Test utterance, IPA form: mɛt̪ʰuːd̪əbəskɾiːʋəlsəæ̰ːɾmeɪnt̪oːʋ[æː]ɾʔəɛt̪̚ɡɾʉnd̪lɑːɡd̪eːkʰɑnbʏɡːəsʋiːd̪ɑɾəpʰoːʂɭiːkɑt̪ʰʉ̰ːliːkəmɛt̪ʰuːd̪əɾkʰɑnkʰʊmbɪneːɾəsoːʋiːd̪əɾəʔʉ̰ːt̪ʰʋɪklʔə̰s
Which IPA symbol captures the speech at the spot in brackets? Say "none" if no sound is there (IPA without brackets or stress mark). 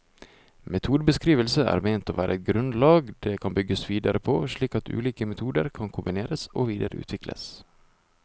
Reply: æː